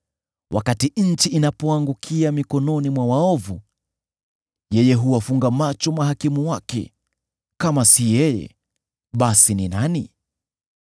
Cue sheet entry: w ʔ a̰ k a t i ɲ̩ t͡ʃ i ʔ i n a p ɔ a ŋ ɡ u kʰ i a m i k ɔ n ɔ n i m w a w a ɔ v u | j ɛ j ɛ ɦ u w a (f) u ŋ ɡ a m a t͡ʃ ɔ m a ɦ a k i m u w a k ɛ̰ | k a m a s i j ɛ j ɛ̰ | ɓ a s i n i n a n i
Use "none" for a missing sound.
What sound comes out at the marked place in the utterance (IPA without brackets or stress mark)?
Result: f